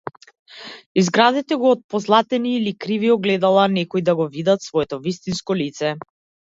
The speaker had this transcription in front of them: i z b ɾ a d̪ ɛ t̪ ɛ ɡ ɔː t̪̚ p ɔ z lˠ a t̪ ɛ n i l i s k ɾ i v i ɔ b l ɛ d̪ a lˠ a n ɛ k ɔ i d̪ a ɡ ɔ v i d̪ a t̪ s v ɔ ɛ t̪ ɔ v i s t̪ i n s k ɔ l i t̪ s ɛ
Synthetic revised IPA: i z ɡ ɾ a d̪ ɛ t̪ ɛ ɡ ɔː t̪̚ p ɔ z lˠ a t̪ ɛ n iː l i k ɾ i v i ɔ ɡ l ɛ d̪ a lˠ a n ɛ k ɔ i d̪ a ɡ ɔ v i d̪ a t̪ s v ɔ ɛ t̪ ɔ v i s t̪ i n s k ɔ l i t̪ s ɛ